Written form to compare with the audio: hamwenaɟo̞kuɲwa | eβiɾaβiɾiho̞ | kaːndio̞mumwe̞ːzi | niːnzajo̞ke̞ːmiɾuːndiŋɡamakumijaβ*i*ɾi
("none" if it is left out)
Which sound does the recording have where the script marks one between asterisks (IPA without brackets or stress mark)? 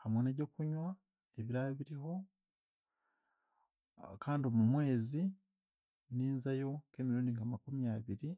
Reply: i